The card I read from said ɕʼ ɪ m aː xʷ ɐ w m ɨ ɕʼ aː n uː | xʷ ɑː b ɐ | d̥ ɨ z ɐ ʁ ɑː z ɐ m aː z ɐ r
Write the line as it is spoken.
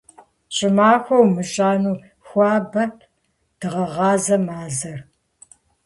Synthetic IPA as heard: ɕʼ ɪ m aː xʷ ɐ w m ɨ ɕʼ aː n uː | xʷ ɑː b ɐ | d̥ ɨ ʁ ɐ ʁ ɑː z ɐ m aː z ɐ r